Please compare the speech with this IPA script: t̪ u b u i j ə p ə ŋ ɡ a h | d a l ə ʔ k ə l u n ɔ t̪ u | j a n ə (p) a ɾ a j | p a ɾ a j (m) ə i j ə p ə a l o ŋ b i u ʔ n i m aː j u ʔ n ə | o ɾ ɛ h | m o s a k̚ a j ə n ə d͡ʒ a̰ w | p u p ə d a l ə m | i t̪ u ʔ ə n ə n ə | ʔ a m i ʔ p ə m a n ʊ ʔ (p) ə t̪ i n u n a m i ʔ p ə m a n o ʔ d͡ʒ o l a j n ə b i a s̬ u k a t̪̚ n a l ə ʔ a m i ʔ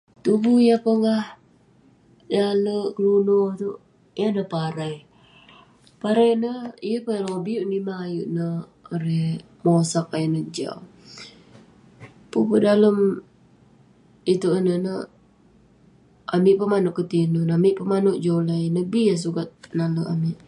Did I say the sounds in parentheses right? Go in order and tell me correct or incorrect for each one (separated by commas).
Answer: correct, incorrect, incorrect